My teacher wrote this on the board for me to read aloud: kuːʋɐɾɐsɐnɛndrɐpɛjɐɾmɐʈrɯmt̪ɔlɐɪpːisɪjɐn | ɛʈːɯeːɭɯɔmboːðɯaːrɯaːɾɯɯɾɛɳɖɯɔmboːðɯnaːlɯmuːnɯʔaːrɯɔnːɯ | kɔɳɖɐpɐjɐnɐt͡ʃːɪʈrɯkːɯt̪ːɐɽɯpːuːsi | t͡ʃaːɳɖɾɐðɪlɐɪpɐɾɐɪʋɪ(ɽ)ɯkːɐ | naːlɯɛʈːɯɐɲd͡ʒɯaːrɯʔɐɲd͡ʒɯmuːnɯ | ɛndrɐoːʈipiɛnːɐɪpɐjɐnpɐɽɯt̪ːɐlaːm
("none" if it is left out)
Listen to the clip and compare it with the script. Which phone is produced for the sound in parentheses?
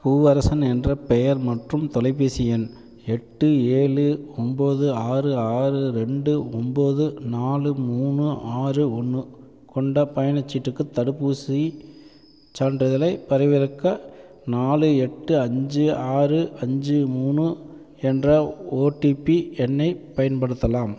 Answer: ɾ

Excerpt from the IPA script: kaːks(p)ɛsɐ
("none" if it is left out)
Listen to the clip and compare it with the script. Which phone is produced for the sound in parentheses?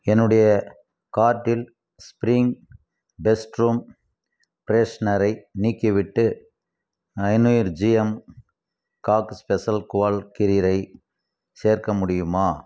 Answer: p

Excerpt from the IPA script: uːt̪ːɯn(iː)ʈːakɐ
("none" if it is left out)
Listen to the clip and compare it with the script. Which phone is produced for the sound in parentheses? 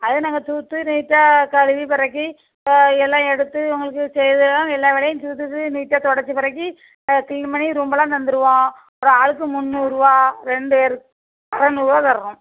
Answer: iː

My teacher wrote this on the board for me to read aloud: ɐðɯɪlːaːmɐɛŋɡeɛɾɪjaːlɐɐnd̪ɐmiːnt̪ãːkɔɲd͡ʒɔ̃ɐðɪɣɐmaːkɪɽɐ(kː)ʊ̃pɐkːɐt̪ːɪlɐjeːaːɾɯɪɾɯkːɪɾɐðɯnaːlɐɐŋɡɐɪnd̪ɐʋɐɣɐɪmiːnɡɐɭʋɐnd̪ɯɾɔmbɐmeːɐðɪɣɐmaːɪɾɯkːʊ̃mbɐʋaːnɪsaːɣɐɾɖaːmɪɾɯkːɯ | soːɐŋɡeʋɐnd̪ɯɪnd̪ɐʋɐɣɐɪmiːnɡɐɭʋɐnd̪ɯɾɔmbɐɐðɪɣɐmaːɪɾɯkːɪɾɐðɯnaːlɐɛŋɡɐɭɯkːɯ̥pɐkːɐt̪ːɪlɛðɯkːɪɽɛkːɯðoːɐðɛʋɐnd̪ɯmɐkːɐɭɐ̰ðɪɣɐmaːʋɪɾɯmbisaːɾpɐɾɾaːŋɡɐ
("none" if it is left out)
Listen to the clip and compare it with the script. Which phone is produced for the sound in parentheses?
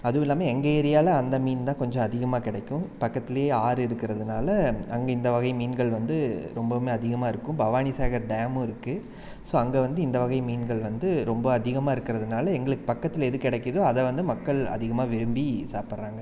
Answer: kː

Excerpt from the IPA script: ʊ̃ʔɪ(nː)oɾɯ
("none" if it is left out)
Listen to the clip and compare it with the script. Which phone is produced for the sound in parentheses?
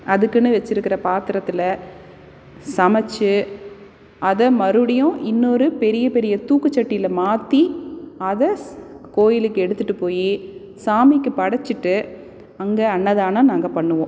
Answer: nː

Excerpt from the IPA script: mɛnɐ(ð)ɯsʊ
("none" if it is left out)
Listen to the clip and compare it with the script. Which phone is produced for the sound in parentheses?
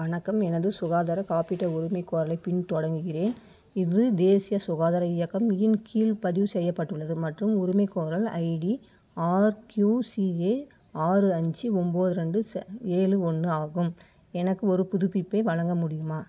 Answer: ð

